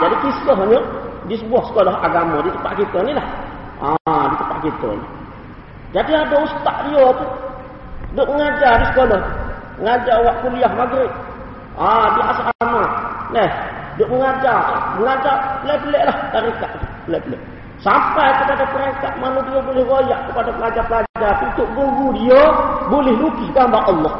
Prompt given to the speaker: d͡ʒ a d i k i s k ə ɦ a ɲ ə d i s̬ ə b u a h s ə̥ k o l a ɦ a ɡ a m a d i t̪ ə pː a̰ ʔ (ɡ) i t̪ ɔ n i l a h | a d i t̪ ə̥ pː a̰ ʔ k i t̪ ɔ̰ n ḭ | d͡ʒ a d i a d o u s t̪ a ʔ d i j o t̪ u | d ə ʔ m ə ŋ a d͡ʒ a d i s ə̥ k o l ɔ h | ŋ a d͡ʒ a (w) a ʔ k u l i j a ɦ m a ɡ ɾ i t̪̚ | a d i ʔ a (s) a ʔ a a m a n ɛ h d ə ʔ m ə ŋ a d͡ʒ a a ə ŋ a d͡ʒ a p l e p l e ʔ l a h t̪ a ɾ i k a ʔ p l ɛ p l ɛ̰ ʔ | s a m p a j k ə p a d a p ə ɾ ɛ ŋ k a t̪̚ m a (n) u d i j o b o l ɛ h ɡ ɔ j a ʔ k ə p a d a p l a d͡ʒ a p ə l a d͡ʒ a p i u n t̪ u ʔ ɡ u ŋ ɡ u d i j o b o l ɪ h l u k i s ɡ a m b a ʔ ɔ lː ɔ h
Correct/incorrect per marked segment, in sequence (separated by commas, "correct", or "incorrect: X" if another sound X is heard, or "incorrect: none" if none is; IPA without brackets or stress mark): incorrect: k, correct, correct, correct